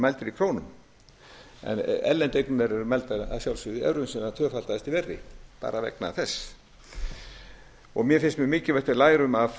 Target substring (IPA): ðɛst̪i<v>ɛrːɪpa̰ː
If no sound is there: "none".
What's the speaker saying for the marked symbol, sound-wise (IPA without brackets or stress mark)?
v